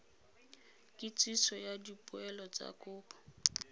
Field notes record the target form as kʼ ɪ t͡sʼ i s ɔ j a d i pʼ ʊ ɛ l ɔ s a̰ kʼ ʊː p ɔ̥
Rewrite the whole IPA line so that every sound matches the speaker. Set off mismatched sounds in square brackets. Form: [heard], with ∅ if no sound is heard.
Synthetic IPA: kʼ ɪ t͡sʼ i s ɔ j a d i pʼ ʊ ɛ l ɔ [t͡s] a̰ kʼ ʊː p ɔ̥